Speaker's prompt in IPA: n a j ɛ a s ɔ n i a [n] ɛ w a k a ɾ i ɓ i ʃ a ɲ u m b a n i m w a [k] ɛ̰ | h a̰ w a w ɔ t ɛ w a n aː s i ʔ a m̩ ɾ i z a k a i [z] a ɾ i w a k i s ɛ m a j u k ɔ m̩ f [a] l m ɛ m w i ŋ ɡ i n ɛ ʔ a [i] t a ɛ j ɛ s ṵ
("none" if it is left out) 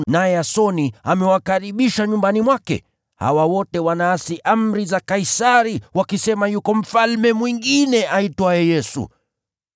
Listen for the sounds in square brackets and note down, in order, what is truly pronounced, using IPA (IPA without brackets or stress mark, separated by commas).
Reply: m, k, s, a, i